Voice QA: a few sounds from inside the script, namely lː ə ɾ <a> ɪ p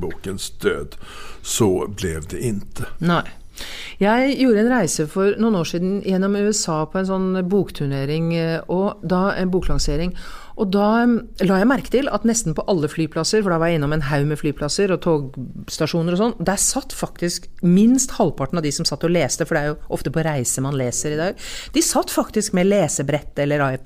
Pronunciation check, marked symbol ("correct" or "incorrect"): incorrect